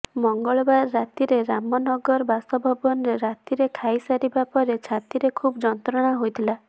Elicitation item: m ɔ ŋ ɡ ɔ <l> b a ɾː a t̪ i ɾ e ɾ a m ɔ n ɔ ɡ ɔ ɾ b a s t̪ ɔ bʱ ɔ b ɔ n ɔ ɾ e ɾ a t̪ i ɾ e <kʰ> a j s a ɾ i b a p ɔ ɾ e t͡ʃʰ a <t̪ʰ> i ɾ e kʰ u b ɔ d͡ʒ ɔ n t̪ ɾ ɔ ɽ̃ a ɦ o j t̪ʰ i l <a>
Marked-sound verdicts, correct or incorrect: incorrect: ɭ, correct, incorrect: t̪, correct

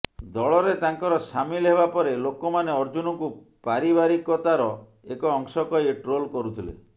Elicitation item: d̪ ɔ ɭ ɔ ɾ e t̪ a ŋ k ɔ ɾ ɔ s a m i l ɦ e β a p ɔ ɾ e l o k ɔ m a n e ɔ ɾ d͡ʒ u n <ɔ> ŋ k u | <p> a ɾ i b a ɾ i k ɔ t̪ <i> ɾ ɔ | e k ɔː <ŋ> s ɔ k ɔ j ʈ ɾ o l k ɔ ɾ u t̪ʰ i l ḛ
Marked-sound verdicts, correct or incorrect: correct, correct, incorrect: a, correct

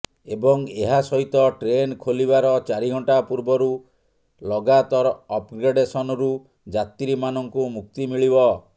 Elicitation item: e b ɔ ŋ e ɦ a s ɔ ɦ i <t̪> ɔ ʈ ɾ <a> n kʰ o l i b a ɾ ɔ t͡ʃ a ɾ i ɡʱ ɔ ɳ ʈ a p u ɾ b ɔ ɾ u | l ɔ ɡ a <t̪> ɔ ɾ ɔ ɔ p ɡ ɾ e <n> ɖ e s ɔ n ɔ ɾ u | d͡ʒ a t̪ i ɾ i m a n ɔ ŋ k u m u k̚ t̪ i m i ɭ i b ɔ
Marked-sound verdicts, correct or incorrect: correct, incorrect: e, correct, incorrect: none

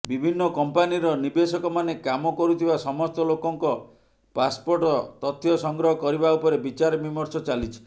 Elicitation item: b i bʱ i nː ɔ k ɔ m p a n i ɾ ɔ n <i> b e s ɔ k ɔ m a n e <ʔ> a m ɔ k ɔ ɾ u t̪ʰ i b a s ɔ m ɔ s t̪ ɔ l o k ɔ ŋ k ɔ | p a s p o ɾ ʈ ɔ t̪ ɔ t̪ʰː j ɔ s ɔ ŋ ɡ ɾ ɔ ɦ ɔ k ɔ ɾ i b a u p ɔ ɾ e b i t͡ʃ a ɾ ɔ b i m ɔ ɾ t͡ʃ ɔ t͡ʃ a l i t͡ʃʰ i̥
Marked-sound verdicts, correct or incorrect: correct, incorrect: k

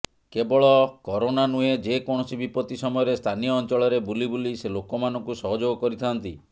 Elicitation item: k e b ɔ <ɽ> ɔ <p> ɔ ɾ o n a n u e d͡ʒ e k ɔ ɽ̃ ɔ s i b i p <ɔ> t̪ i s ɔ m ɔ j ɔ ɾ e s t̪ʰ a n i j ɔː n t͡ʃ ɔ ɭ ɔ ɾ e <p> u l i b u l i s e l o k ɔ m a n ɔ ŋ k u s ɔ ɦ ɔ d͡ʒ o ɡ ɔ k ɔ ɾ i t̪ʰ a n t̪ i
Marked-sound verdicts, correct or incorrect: incorrect: ɭ, incorrect: k, correct, incorrect: b

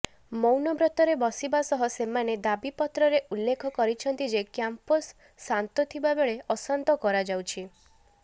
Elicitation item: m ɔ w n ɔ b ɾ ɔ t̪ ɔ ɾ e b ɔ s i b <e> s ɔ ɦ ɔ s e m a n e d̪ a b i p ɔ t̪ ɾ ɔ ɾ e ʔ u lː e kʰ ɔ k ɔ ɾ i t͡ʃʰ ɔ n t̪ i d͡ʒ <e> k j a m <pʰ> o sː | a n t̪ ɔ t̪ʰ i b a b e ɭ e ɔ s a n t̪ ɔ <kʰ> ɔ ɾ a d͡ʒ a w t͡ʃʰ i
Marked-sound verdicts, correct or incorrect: incorrect: a, correct, incorrect: p, incorrect: k

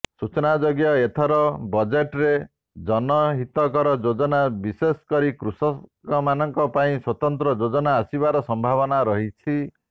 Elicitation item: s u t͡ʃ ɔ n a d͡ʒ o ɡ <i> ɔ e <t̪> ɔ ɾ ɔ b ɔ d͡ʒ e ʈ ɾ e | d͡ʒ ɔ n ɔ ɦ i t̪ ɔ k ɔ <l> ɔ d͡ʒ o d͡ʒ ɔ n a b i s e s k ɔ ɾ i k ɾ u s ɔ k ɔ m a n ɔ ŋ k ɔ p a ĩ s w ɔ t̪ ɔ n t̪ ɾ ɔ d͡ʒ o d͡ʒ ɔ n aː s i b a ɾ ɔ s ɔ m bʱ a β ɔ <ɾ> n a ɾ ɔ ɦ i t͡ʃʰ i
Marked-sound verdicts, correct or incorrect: incorrect: j, incorrect: t̪ʰ, incorrect: ɾ, incorrect: none

